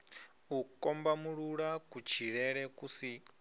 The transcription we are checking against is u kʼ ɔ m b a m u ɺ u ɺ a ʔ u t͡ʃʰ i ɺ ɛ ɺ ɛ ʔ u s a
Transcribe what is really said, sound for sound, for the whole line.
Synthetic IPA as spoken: u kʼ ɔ m b a m u ɺ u ɺ a k u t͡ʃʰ i ɺ ɛ ɺ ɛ k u s i